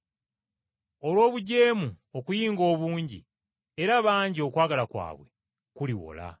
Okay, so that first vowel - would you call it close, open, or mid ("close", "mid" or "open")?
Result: mid